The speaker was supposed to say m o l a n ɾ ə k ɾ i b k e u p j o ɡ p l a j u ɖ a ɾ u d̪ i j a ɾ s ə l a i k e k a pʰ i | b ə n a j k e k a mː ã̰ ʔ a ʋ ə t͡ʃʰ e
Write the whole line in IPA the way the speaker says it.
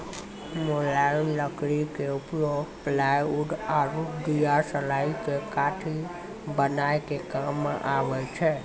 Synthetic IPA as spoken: m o l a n l ə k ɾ i k e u p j o ɡ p l a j u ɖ a ɾ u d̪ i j a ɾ s ə l a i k e k a ʈʰ i | b ə n a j k e k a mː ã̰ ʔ a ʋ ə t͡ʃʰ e